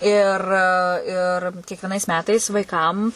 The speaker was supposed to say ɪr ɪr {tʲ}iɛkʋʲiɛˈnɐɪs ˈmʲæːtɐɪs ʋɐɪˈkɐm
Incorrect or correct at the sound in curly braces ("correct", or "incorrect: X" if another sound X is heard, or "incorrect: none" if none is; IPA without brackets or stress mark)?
incorrect: kʲ